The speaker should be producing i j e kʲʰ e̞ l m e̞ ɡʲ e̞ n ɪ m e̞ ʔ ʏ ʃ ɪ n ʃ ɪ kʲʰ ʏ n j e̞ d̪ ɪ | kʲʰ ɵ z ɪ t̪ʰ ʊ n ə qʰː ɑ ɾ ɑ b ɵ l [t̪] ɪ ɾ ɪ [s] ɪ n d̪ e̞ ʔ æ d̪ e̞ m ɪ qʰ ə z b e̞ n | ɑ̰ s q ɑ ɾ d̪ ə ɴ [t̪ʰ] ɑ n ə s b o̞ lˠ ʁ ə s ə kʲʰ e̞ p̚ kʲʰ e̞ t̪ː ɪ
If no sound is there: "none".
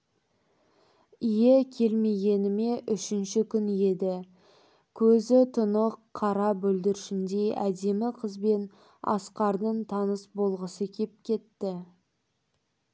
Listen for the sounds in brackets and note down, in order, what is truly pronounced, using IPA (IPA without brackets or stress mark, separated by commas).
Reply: d̪, ʃ, t̪ʰ